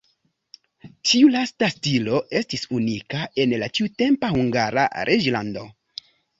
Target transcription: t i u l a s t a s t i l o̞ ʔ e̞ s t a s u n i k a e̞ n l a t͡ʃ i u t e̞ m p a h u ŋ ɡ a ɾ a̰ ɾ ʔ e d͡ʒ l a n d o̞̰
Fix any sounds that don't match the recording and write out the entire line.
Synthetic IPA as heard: t i u l a s t a s t i l o̞ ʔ e̞ s t i s u n i k a e̞ n l a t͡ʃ i u t e̞ m p a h u ŋ ɡ a ɾ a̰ ɾ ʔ e d͡ʒ l a n d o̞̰